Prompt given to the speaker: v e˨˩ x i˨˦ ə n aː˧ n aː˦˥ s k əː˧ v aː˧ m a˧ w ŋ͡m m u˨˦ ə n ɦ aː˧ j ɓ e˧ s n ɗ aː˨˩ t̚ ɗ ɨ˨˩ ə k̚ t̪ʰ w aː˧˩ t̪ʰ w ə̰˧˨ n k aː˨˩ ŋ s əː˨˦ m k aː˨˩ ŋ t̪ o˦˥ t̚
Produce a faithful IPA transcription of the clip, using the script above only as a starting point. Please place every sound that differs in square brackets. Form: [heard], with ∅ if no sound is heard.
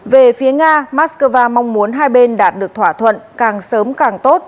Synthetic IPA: v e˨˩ [f] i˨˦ ə [ŋ] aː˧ [m] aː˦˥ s k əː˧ v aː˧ m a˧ w ŋ͡m m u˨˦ ə n ɦ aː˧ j ɓ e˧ [∅] n ɗ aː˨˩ t̚ ɗ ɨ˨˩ ə k̚ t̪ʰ w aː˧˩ t̪ʰ w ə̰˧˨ n k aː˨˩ ŋ s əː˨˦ m k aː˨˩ ŋ t̪ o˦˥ t̚